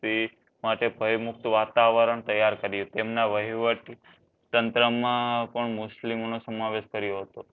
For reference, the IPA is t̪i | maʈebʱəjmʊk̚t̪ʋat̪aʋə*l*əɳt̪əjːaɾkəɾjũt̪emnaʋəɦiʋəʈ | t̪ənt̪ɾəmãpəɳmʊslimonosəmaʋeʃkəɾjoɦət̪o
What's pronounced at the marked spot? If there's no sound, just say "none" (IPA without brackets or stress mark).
ɾ